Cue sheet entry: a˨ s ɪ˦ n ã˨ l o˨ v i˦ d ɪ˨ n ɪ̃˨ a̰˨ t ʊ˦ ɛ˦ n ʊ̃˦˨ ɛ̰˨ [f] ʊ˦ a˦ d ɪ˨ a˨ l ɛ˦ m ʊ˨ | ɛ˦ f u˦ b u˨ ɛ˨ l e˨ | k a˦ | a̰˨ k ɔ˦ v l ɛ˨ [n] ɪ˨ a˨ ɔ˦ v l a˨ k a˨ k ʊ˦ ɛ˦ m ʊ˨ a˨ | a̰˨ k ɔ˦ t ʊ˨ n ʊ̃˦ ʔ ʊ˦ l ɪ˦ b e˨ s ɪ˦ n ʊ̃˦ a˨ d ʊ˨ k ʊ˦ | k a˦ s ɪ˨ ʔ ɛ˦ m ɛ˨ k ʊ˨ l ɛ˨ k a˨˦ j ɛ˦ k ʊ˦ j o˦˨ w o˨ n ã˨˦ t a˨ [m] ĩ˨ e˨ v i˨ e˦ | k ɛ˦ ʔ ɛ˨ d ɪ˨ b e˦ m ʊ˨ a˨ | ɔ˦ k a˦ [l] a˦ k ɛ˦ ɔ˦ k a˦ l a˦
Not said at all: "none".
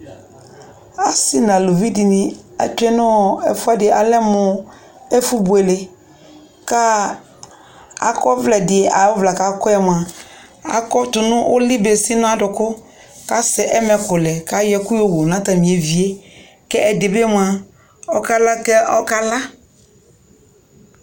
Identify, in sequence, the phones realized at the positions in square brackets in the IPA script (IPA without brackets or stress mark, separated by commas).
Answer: f, d, m, l